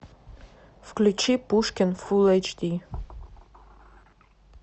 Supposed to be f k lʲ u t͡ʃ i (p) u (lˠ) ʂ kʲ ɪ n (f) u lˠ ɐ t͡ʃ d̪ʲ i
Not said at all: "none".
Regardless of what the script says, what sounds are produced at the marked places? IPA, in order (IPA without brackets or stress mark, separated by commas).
p, none, f